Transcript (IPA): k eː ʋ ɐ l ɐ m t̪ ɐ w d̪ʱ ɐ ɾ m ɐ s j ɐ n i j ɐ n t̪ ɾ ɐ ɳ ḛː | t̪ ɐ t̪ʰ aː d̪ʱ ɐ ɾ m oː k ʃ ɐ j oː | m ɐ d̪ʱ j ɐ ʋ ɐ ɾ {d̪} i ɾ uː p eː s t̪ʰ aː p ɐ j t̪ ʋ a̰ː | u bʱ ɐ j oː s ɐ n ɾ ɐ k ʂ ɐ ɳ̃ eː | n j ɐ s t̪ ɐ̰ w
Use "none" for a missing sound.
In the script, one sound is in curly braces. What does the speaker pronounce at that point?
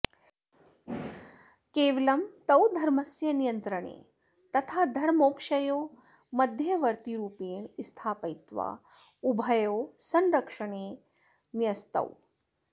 t̪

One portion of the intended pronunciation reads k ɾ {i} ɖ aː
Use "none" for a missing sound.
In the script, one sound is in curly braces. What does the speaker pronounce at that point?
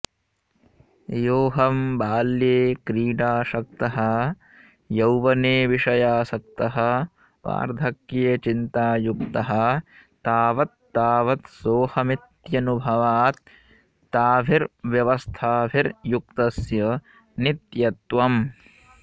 iː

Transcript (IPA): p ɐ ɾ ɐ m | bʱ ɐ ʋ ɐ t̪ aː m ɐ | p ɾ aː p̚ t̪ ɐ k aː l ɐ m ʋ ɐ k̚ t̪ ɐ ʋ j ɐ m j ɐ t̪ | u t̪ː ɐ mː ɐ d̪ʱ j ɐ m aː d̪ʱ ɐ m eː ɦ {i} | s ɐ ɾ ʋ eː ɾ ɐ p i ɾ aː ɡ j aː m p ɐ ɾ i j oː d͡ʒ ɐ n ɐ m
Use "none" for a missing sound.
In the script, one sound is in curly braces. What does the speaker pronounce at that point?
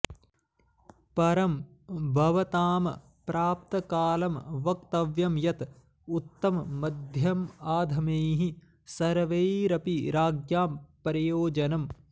i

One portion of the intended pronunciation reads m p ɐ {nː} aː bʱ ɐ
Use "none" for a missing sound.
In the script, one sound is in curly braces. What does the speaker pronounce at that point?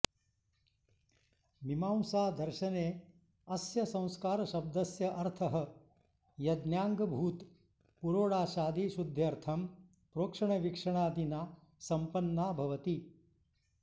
nː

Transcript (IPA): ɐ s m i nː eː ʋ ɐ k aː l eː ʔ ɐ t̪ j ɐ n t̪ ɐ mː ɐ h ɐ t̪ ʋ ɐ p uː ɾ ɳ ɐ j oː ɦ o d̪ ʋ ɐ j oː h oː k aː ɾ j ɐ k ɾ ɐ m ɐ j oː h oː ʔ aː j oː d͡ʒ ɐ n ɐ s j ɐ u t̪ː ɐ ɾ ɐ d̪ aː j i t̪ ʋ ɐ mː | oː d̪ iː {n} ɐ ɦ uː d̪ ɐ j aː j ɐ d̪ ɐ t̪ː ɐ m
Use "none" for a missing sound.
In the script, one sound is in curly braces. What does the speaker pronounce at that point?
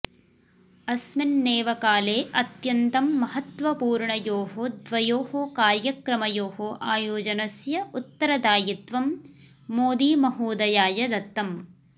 m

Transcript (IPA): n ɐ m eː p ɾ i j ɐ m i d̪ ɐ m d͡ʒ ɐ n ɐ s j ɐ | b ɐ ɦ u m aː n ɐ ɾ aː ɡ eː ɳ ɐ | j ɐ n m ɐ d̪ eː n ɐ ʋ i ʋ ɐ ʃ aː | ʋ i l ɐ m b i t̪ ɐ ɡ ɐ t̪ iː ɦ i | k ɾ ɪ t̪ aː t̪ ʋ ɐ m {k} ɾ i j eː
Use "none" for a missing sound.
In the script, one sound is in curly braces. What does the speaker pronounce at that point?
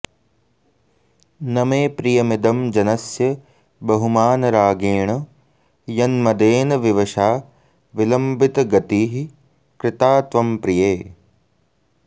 p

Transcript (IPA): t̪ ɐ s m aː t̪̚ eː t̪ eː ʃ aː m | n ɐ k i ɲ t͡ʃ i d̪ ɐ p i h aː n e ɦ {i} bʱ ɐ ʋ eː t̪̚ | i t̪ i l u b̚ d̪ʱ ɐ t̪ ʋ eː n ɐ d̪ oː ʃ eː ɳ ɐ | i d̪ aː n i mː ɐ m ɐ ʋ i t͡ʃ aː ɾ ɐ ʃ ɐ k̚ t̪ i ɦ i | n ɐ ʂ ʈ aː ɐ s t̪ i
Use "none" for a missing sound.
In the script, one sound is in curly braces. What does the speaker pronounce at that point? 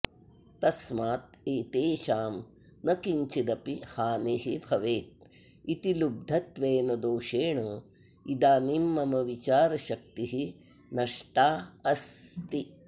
i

